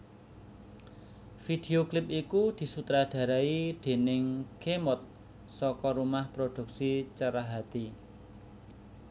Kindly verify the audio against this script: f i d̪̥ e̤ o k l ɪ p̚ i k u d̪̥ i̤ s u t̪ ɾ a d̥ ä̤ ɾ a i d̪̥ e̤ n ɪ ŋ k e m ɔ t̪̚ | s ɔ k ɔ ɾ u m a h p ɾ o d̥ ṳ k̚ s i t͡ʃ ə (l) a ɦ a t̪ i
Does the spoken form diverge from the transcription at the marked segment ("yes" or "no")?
yes